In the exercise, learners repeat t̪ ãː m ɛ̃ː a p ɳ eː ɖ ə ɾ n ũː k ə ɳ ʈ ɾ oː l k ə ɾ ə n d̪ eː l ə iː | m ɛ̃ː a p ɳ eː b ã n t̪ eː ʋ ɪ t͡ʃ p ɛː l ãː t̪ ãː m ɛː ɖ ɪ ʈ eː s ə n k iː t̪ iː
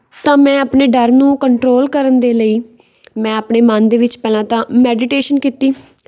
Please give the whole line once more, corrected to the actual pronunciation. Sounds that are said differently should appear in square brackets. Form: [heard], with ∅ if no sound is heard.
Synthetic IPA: t̪ ãː m ɛ̃ː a p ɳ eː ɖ ə ɾ n ũː k ə ɳ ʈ ɾ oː l k ə ɾ ə n d̪ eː l ə iː | m ɛ̃ː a p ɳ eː [m] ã n [d̪] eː ʋ ɪ t͡ʃ p ɛː l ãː t̪ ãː m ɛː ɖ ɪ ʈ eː [ʃ] ə n k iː t̪ iː